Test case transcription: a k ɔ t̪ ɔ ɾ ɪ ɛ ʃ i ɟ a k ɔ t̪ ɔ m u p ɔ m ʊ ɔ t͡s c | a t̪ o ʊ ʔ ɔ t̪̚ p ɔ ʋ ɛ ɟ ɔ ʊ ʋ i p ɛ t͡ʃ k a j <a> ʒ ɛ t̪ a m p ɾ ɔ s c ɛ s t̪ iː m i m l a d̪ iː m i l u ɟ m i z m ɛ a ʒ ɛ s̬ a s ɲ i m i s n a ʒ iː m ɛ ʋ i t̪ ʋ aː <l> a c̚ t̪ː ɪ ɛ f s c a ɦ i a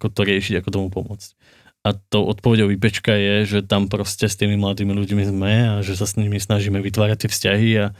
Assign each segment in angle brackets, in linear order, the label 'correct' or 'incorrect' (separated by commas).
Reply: incorrect, incorrect